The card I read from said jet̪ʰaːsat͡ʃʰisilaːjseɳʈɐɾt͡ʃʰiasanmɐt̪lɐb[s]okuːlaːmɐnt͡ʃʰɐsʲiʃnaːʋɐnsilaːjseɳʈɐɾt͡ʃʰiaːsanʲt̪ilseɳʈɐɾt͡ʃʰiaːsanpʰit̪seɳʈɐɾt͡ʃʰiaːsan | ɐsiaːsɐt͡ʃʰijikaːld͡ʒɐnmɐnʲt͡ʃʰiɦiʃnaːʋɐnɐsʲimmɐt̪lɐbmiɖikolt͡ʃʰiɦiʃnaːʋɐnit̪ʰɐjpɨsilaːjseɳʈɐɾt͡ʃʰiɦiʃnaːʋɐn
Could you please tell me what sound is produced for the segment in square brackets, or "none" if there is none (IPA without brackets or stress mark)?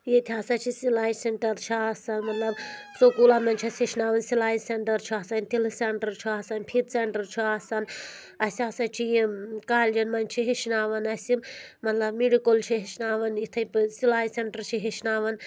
s